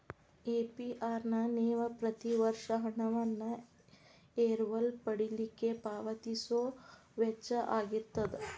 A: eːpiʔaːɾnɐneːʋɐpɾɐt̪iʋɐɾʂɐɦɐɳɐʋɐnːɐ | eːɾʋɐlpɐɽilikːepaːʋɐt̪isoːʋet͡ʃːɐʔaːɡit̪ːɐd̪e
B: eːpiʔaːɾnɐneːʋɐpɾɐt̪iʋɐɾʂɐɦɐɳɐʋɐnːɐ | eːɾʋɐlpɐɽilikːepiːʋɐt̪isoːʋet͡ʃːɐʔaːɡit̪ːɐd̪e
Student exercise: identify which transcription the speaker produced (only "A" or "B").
A